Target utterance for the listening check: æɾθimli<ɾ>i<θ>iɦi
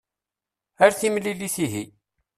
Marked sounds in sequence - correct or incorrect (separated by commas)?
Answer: incorrect, correct